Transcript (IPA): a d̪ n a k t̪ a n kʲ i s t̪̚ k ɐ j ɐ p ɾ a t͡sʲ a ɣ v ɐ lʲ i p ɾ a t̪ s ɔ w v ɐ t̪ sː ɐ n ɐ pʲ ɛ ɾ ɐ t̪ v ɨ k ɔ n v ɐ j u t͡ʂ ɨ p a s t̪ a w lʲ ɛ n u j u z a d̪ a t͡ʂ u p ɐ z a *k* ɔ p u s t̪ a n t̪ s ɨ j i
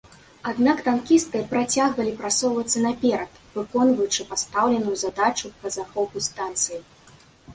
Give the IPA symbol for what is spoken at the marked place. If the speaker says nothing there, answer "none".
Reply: x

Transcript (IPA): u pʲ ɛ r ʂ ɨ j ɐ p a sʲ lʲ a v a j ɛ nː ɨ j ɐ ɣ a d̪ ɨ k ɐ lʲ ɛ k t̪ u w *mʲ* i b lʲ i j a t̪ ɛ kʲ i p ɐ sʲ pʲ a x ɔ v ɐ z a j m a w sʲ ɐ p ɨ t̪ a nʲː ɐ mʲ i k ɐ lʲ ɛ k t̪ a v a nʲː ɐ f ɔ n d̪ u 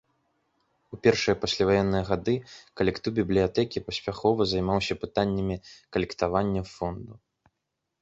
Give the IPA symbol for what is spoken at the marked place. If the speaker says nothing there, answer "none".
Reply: bʲ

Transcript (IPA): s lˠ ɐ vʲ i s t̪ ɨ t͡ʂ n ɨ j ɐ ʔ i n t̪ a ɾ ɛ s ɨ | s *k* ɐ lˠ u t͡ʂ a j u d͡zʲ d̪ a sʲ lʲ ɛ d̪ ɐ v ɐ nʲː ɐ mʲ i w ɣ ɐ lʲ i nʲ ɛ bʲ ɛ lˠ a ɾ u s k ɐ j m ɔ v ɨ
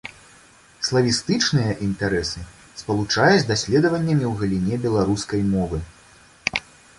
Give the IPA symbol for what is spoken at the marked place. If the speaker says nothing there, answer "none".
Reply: p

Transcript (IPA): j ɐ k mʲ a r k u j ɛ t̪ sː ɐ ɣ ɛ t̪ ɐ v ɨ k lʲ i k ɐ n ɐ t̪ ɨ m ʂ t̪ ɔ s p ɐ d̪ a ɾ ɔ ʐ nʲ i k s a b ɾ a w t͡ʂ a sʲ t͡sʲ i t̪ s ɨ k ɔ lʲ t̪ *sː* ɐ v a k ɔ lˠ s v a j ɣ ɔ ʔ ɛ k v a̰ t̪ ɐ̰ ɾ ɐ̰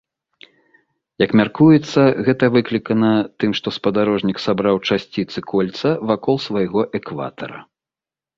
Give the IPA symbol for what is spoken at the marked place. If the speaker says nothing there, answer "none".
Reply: s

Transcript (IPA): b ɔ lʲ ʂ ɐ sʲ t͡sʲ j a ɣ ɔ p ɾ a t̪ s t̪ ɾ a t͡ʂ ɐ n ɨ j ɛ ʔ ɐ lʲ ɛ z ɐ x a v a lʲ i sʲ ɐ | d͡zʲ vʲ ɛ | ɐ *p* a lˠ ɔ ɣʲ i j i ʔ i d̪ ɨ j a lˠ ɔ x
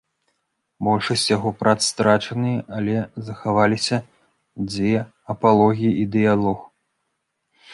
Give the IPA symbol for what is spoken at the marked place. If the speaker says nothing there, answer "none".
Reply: p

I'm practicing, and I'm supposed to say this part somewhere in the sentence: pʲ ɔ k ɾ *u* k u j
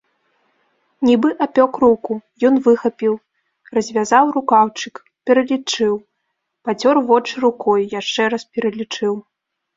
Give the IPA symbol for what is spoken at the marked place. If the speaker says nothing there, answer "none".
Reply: u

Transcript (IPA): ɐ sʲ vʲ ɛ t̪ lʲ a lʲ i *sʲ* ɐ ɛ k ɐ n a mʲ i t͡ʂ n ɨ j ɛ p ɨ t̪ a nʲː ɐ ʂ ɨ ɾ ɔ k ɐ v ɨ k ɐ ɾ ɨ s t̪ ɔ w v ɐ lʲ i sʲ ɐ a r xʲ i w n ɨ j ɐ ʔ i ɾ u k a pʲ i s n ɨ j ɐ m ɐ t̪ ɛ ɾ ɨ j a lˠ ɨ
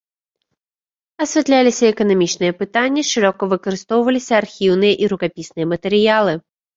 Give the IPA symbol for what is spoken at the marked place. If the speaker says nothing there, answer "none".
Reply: sʲ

